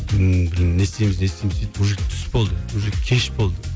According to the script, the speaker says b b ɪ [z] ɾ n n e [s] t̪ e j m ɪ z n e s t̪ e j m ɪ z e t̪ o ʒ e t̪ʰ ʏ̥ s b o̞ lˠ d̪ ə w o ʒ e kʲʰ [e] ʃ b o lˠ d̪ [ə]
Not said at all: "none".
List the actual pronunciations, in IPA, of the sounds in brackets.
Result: none, s, e, ə

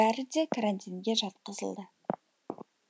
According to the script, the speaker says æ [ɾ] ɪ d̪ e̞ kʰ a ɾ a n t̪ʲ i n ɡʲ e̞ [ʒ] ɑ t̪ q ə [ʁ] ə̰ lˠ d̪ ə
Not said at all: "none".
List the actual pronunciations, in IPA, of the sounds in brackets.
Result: ɾ, ʒ, z

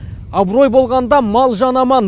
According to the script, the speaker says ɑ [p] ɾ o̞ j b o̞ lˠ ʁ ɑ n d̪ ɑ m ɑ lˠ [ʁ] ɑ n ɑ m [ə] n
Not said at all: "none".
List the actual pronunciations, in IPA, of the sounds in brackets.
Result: b, ʒ, ɑ

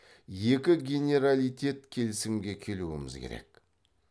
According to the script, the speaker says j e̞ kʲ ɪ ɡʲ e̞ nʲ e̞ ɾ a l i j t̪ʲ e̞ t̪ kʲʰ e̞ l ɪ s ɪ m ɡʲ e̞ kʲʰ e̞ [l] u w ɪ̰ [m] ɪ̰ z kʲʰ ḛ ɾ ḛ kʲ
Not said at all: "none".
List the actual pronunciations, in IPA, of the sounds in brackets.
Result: l, m

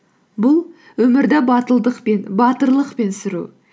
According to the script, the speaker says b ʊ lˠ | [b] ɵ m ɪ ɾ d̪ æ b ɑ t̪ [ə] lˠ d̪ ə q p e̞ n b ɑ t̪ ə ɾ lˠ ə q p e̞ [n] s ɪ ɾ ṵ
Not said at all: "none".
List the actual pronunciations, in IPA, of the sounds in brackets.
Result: w, ə, n

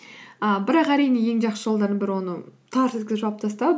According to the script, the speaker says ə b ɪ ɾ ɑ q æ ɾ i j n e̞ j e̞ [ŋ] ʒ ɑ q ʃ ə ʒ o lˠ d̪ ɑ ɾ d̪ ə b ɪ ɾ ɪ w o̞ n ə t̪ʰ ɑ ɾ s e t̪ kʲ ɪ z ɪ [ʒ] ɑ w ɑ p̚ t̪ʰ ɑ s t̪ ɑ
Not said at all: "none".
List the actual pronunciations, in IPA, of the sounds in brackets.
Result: ŋ, ʒ

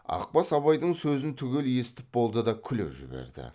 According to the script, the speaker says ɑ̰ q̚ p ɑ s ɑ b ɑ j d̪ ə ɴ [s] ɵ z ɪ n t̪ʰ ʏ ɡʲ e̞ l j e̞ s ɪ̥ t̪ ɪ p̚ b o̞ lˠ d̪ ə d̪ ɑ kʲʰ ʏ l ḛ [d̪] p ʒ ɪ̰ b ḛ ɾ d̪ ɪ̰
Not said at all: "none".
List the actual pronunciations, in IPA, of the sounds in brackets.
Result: s, none

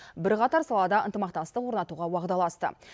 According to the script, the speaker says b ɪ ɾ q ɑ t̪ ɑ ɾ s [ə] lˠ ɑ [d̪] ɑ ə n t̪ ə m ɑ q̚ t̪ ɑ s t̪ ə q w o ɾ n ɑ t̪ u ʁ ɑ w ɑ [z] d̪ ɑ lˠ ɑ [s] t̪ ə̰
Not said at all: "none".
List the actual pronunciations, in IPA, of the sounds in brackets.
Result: ɑ, d̪, ʁ, s

